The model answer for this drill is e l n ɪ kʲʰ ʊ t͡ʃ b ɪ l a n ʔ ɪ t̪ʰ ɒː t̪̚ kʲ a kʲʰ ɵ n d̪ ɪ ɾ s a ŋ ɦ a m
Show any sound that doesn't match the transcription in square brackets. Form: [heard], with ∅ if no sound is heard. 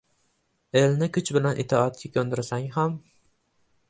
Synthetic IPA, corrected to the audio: e l n ɪ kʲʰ ʊ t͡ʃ b ɪ l a n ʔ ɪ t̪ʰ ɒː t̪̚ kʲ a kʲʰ ɵ n d̪ ɪ ɾ s a ŋ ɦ a m